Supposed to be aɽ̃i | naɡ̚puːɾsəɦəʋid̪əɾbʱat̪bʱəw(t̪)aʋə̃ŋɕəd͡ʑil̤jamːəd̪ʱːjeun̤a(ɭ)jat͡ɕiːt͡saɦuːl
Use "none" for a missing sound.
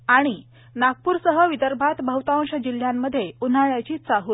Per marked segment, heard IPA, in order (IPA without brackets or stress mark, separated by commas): t̪, ɭ